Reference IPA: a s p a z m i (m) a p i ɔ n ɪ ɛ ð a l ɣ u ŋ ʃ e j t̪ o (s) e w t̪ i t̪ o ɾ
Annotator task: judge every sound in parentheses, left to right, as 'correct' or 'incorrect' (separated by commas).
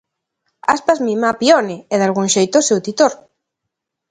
correct, correct